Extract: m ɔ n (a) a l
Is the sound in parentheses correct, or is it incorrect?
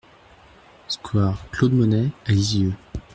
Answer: incorrect